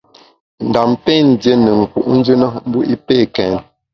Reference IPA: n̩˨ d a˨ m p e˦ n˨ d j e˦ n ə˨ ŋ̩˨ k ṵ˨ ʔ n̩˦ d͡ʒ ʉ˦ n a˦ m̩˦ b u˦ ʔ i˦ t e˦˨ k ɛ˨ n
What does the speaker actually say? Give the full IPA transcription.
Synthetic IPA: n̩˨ d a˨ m p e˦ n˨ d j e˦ n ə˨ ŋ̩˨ k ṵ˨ ʔ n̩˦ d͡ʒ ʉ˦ n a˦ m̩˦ b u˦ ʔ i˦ p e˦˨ k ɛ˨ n